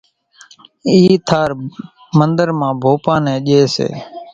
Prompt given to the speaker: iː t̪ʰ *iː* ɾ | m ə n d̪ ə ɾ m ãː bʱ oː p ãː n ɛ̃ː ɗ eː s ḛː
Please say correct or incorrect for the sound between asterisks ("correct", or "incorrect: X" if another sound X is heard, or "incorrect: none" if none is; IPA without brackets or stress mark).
incorrect: aː